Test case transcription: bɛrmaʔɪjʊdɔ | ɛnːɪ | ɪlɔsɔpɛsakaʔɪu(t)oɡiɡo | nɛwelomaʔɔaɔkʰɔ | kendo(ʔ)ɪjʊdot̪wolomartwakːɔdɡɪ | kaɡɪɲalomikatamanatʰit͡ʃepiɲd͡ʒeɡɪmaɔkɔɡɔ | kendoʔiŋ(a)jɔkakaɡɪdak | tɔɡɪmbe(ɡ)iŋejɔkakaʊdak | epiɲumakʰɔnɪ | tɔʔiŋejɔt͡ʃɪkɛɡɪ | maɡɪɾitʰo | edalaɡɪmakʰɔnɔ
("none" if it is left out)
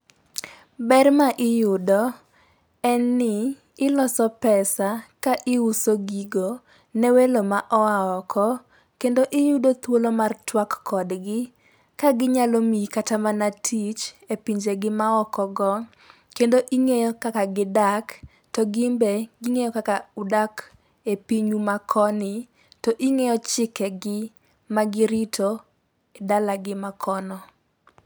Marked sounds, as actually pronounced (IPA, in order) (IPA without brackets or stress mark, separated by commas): s, ʔ, e, ɡ